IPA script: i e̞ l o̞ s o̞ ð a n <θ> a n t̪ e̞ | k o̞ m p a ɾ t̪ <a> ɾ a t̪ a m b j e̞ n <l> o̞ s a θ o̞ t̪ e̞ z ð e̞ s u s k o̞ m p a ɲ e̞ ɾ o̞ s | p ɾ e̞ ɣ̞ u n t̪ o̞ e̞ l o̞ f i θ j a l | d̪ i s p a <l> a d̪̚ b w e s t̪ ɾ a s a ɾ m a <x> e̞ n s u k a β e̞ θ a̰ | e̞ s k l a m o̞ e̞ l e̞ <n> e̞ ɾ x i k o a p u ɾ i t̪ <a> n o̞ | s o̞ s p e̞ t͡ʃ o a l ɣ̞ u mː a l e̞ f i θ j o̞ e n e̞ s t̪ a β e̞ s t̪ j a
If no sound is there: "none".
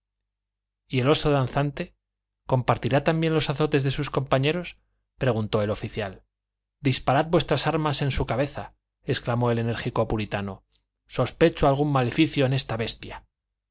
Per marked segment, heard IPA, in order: θ, i, l, ɾ, s, n, a

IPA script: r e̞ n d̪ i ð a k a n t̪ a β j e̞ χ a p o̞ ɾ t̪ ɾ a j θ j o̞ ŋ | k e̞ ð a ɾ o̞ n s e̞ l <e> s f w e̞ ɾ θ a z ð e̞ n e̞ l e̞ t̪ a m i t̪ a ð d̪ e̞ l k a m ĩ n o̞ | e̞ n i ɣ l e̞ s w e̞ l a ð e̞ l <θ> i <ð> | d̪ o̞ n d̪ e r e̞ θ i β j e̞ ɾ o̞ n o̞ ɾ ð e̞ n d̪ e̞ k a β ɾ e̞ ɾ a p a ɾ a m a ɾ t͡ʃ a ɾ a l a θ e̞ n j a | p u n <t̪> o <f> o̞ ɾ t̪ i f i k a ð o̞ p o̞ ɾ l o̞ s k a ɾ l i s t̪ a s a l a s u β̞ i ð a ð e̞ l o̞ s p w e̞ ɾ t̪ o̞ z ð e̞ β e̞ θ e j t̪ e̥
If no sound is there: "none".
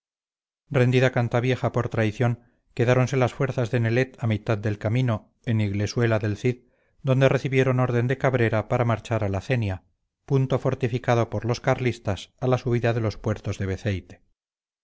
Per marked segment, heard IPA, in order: a, θ, ð, t̪, f

